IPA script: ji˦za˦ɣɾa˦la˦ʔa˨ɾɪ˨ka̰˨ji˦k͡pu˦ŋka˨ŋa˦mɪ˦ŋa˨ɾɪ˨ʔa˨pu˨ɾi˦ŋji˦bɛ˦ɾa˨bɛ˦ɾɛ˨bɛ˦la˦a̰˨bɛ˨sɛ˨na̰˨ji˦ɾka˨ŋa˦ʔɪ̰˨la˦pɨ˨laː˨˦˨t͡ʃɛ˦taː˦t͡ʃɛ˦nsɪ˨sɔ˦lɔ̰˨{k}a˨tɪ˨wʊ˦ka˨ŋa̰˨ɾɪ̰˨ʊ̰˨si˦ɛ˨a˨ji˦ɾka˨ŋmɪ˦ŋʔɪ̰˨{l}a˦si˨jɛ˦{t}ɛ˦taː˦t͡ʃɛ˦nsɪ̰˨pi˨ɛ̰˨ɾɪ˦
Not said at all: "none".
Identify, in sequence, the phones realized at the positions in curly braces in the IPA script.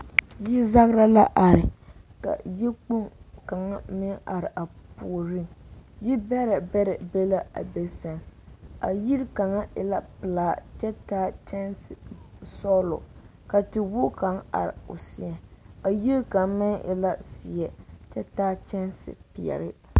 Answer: k, l, t͡ʃ

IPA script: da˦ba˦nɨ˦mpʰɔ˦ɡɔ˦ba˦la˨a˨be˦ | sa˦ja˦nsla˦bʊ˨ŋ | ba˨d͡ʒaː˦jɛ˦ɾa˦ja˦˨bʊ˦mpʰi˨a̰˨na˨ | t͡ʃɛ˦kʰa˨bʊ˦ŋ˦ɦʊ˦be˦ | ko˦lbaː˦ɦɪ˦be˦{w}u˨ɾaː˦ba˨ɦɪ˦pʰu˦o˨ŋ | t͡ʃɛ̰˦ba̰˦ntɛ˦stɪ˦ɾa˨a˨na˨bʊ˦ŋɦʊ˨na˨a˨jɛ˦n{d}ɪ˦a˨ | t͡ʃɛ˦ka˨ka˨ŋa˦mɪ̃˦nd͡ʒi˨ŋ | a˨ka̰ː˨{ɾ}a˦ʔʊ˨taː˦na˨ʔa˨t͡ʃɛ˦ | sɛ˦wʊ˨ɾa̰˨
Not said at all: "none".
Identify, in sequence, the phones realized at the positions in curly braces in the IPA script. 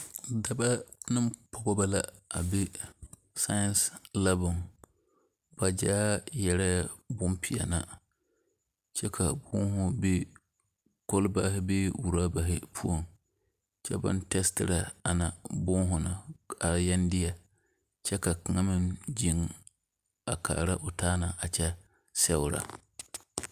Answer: w, d, ɾ

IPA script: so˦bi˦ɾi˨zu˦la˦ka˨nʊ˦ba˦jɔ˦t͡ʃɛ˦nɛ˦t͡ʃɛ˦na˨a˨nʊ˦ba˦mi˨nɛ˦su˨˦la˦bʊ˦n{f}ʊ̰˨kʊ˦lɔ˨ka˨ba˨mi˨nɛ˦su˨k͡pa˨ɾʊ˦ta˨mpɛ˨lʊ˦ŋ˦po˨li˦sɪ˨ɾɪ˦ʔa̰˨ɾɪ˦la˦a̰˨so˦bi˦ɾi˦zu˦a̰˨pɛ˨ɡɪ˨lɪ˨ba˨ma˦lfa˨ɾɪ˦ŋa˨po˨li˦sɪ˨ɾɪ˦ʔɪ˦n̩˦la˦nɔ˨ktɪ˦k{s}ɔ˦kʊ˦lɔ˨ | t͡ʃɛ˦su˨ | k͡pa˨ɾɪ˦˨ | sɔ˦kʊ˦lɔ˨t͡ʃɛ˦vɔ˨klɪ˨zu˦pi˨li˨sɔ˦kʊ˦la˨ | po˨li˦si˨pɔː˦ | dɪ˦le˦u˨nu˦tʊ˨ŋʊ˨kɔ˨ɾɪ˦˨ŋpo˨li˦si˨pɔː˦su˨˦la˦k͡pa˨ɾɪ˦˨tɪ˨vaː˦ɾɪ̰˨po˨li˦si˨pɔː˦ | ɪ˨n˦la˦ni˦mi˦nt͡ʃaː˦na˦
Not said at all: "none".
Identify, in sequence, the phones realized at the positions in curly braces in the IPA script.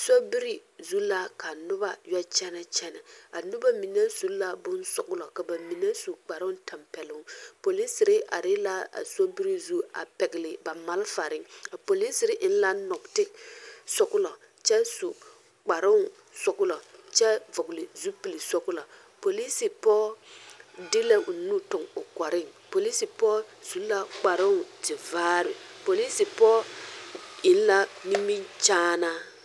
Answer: s, s

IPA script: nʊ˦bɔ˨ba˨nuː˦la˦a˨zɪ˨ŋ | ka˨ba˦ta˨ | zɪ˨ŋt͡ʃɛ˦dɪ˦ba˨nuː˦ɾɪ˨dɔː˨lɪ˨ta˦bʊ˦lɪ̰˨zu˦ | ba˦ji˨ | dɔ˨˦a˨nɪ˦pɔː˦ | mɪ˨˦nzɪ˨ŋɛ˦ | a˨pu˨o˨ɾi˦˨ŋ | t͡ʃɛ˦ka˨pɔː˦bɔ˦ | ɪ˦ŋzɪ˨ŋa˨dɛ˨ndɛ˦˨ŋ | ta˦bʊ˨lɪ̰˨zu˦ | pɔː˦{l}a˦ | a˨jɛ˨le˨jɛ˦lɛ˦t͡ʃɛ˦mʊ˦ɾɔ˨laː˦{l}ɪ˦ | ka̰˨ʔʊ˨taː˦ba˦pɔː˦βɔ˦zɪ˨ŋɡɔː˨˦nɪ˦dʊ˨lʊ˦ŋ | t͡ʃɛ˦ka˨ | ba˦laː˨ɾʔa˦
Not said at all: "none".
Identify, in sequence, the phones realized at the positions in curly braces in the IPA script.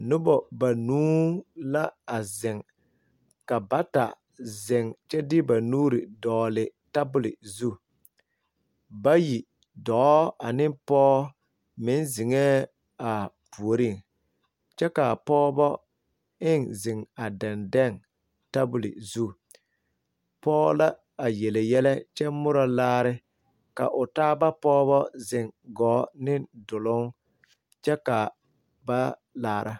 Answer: l, ɾ

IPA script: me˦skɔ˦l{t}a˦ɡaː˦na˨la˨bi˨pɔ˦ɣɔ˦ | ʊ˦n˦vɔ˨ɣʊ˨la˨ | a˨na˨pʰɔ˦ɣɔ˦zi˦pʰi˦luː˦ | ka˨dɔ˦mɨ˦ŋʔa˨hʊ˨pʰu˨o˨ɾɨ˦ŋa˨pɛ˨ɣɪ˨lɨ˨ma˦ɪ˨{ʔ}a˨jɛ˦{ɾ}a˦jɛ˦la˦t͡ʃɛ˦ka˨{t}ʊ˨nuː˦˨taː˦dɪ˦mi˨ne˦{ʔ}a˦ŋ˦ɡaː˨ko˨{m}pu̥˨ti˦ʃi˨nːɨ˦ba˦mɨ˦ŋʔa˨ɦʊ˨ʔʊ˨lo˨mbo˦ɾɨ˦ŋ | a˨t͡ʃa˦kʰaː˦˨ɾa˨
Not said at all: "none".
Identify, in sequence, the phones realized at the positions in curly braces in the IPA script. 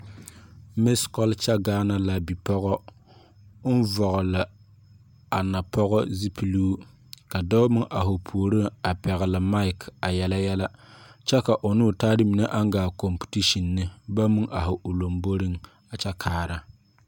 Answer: t͡ʃ, k, l, ʔ, ʔ, m

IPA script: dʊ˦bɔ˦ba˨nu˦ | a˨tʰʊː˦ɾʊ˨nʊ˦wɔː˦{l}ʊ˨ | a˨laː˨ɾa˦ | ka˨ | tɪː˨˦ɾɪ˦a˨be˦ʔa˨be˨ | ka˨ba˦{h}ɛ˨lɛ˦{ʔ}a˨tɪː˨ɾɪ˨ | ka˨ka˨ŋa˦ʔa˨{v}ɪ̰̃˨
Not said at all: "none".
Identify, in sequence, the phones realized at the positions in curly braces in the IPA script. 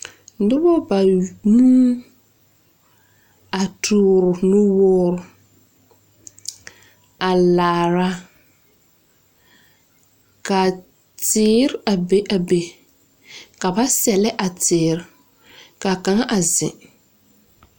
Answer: ɾ, s, ʔ, z

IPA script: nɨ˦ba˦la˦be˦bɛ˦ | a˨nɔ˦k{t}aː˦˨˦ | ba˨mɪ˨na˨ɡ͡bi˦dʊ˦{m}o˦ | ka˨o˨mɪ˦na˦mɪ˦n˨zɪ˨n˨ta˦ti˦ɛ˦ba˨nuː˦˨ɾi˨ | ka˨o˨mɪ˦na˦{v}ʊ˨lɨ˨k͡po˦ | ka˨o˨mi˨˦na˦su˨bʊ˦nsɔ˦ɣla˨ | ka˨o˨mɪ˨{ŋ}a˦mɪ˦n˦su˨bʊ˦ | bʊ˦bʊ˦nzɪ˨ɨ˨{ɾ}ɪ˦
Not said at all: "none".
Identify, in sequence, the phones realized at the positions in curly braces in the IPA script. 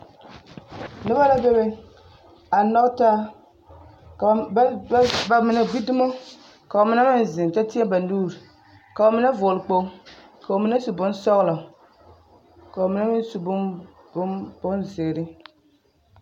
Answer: t, m, v, n, ɾ

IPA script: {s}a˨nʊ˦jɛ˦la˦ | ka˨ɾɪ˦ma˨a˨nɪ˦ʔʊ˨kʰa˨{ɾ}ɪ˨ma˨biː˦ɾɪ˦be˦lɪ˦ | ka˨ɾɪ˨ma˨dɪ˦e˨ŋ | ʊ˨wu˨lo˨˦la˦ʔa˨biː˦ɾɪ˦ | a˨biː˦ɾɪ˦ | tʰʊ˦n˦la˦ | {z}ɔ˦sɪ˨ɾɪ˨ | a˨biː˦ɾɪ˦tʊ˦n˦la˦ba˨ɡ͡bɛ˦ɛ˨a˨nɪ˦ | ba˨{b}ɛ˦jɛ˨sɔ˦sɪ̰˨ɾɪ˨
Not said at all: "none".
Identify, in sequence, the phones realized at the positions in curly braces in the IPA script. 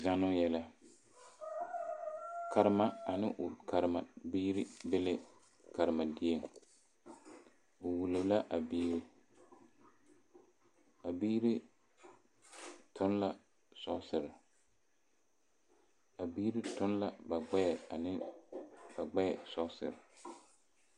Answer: z, ɾ, s, ɡ͡b

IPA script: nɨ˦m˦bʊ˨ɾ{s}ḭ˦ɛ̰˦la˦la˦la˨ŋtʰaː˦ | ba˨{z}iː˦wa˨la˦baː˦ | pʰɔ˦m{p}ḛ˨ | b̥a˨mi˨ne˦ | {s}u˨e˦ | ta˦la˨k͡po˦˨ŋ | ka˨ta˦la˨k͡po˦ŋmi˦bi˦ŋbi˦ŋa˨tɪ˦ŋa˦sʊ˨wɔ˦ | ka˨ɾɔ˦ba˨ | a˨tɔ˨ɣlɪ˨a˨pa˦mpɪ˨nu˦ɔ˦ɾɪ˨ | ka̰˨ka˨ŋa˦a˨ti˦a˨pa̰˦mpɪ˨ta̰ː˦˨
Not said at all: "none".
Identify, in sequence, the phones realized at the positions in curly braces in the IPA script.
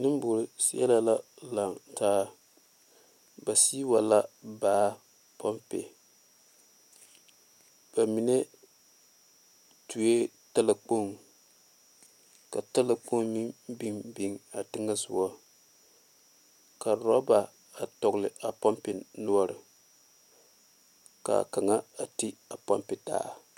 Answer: s, s, p, t

